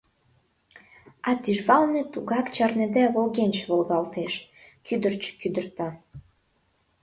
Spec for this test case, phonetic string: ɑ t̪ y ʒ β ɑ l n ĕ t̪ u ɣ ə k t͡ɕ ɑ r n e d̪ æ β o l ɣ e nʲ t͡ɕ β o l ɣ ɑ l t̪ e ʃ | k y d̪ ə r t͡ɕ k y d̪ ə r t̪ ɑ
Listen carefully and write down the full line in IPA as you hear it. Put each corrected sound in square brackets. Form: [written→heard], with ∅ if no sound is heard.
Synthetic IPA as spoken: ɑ t̪ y ʒ β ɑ l n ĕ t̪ u ɣ [ə→ɑ] k t͡ɕ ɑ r n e d̪ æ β o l ɣ e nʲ t͡ɕ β o l ɣ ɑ l t̪ e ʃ | k y d̪ ə r t͡ɕ k y d̪ ə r t̪ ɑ